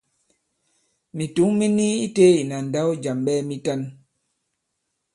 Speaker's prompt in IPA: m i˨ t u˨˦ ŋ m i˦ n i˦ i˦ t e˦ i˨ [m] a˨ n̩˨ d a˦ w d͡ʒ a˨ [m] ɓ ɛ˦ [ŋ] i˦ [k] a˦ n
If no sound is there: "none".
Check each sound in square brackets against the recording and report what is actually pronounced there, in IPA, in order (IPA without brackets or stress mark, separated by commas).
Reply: n, m, m, t